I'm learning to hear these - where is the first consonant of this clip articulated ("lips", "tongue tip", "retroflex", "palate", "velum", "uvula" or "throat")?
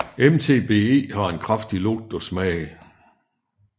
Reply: lips